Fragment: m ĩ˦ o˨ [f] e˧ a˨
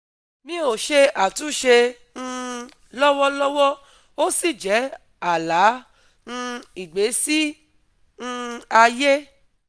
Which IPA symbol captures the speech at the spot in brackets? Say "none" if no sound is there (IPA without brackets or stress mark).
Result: ʃ